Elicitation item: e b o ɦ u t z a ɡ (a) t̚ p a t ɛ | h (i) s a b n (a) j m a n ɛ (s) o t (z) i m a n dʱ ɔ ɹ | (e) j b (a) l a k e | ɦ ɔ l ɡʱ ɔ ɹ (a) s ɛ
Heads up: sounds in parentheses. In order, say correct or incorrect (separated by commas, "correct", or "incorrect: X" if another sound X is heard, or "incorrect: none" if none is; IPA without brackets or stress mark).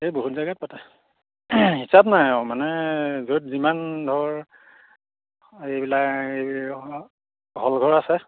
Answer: correct, correct, correct, incorrect: z, correct, correct, incorrect: i, correct